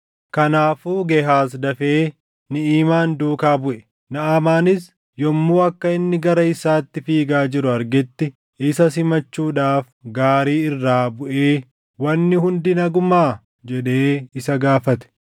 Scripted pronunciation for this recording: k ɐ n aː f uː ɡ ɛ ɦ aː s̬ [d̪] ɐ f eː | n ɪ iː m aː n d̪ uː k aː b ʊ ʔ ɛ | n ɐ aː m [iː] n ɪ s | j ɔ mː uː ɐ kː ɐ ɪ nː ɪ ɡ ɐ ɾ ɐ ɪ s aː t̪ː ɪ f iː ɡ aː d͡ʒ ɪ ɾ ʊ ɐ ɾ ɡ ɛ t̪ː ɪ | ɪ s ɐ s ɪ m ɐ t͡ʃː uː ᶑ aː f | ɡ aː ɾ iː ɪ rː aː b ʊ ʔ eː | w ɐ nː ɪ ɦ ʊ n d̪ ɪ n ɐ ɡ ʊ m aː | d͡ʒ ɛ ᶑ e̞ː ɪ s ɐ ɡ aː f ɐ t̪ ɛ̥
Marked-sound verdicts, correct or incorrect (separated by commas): correct, incorrect